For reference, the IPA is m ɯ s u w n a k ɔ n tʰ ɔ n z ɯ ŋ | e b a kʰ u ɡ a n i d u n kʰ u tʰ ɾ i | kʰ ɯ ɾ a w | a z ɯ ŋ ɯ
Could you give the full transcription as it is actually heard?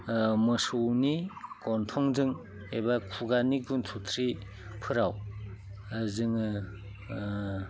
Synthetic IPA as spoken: m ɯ s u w n i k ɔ n tʰ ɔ ŋ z ɯ ŋ | e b a kʰ u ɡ a n i ɡ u n tʰ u tʰ ɾ i | pʰ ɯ ɾ a w | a z ɯ ŋ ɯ

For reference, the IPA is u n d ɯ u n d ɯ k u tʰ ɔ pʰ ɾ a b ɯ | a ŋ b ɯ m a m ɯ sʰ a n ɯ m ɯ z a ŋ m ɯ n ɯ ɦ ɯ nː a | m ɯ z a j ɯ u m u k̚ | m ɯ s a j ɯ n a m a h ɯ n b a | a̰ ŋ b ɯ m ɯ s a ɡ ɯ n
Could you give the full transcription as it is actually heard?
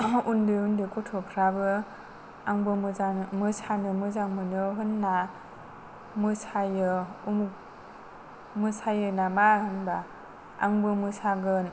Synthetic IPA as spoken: u n d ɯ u n d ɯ k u tʰ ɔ pʰ ɾ a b ɯ | a ŋ b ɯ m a m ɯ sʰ a n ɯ m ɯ z a ŋ m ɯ n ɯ ɦ ɯ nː a | m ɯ s a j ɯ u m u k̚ | m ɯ s a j ɯ n a m a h ɯ n b a | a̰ ŋ b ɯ m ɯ s a ɡ ɯ n

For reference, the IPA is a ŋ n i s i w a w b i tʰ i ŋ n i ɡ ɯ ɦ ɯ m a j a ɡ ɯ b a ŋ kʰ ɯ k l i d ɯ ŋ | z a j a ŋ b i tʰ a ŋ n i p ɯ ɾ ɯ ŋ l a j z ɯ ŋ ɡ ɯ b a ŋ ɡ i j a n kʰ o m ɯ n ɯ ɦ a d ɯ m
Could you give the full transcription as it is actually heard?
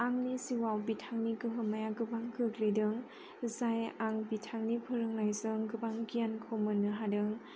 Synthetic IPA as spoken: a ŋ n i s i w a w b i tʰ a ŋ n i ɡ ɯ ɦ ɯ m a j a ɡ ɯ b a ŋ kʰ ɯ k l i d ɯ ŋ | z a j a ŋ b i tʰ a ŋ n i pʰ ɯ ɾ ɯ ŋ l a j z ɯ ŋ ɡ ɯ b a ŋ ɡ i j a n kʰ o m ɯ n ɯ ɦ a d ɯ ŋ

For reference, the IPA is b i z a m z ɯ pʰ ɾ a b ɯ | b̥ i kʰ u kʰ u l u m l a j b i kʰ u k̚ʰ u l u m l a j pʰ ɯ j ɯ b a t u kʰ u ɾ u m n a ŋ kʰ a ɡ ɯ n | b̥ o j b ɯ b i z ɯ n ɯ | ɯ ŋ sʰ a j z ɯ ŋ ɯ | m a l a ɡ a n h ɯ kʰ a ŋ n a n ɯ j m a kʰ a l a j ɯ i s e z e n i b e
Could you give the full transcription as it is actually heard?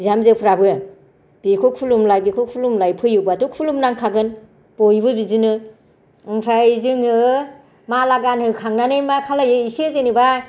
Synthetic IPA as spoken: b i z a m z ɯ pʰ ɾ a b ɯ | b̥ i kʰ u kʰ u l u m l a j b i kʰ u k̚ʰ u l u m l a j pʰ ɯ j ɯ b a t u kʰ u l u m n a ŋ kʰ a ɡ ɯ n | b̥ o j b ɯ b i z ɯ n ɯ | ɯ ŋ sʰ a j z ɯ ŋ ɯ | m a l a ɡ a n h ɯ kʰ a ŋ n a n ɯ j m a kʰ a l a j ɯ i s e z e n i b a

